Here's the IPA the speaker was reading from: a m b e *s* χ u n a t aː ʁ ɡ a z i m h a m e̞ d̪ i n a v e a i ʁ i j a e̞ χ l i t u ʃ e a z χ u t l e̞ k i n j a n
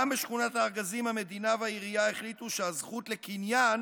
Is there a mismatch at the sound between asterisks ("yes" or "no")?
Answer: yes